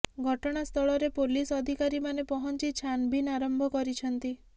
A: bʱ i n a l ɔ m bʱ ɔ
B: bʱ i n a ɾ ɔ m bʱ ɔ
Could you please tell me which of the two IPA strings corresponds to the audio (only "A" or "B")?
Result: B